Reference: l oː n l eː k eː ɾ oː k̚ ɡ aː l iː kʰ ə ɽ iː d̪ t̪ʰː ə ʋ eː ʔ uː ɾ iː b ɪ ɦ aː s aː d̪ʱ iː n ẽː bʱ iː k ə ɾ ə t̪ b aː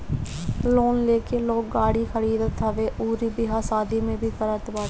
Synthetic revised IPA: l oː n l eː k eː l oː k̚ ɡ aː ɽ iː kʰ ə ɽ iː d̪ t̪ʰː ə ʋ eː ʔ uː ɾ iː b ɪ ɦ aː s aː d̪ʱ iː m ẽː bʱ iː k ə ɾ ə t̪ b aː